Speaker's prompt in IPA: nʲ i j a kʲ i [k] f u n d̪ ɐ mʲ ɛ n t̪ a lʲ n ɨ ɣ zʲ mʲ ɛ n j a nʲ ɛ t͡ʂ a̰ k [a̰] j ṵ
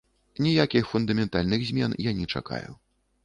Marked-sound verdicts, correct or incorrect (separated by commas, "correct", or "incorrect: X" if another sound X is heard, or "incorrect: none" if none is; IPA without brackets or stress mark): incorrect: x, correct